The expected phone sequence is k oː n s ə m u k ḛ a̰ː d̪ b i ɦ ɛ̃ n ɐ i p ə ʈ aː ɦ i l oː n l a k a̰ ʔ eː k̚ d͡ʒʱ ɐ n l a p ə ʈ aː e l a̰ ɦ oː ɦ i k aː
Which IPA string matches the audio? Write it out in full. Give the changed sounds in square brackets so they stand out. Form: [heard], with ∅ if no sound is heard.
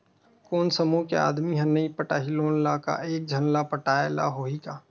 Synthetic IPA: k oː n s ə m u k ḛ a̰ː d̪ [m] i ɦ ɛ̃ n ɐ i p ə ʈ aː ɦ i l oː n l a k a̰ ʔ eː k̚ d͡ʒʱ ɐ n l a p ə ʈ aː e l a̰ ɦ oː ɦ i k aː